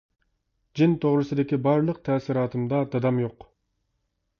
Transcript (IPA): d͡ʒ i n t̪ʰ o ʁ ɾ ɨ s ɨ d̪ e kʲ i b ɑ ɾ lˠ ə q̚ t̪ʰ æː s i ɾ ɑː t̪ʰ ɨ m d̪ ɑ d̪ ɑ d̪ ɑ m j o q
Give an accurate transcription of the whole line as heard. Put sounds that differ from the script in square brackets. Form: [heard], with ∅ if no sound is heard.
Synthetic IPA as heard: d͡ʒ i n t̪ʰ o ʁ ɾ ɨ s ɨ d̪ e kʲ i b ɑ ɾ lˠ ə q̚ t̪ʰ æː s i ɾ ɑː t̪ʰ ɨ m d̪ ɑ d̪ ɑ d̪ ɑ m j o q